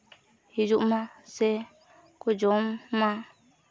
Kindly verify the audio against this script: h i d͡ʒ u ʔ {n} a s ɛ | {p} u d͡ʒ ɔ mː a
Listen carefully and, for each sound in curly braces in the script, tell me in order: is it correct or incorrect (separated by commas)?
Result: incorrect, incorrect